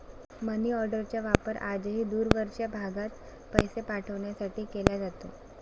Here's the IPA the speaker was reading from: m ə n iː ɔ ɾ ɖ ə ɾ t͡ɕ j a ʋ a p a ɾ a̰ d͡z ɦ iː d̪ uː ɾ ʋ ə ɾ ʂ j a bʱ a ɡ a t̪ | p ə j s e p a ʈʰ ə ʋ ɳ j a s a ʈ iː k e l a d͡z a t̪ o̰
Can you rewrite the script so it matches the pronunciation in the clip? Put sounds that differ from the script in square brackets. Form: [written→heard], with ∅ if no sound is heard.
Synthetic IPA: m ə n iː ɔ ɾ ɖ ə ɾ t͡ɕ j a ʋ a p [a→ə] ɾ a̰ d͡z ɦ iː d̪ uː ɾ ʋ ə ɾ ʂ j a bʱ a ɡ a t̪ | p ə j s e p a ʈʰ ə ʋ ɳ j a s a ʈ iː k e l a d͡z a t̪ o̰